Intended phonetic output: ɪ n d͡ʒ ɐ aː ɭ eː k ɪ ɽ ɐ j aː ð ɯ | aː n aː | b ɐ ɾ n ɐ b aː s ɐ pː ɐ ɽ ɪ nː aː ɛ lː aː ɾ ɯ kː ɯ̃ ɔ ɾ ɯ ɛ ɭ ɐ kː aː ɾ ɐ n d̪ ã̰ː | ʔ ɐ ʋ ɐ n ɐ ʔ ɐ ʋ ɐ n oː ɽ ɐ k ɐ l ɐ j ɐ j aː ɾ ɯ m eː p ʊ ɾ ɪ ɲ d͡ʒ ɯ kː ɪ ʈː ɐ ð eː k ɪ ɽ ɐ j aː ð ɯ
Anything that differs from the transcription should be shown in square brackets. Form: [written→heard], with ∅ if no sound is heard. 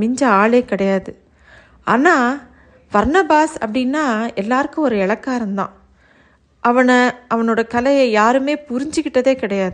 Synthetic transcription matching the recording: ɪ [n→ɲ] d͡ʒ ɐ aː ɭ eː k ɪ ɽ ɐ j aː ð ɯ | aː n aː | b ɐ ɾ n ɐ b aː s ɐ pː ɐ ɽ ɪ nː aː ɛ lː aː ɾ ɯ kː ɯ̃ ɔ ɾ ɯ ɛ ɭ ɐ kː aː ɾ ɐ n d̪ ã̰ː | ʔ ɐ ʋ ɐ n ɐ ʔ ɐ ʋ ɐ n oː ɽ ɐ k ɐ l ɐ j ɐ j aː ɾ ɯ m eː p ʊ ɾ ɪ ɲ d͡ʒ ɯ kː ɪ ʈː ɐ ð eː k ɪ ɽ ɐ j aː ð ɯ